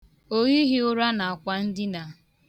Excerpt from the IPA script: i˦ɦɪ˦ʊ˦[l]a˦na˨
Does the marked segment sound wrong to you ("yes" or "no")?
yes